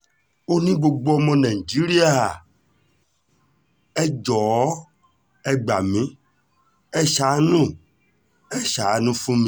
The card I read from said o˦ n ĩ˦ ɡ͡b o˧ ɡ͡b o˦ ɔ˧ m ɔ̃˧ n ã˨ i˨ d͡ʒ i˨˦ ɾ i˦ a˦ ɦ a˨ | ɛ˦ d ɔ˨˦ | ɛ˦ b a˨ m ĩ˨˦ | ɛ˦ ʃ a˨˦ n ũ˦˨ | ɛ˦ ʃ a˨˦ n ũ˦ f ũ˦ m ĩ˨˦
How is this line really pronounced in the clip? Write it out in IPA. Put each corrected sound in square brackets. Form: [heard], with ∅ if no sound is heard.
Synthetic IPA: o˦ n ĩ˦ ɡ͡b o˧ ɡ͡b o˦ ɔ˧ m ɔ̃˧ n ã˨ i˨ d͡ʒ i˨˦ ɾ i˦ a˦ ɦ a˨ | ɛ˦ [d͡ʒ] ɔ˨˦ | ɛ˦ [ɡ͡b] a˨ m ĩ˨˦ | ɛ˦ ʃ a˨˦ n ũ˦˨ | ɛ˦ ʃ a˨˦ n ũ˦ f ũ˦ m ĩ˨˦